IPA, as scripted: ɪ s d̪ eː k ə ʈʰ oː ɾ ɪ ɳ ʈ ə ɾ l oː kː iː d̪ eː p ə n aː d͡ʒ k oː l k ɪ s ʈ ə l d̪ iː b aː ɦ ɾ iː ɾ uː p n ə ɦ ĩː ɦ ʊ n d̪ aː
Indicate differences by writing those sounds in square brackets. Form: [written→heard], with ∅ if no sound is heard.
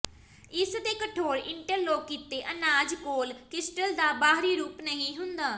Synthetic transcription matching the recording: ɪ s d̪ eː k ə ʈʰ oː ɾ ɪ ɳ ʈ ə ɾ l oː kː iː [d̪→t̪] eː [p→ʔ] ə n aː d͡ʒ k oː l k ɪ s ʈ ə l d̪ [iː→aː] b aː ɦ ɾ iː ɾ uː p n ə ɦ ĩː ɦ ʊ n d̪ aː